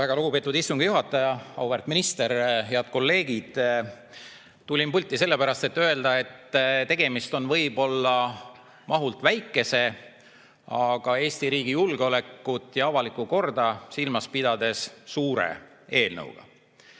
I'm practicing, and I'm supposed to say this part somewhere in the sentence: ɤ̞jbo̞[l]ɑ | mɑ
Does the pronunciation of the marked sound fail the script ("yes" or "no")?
yes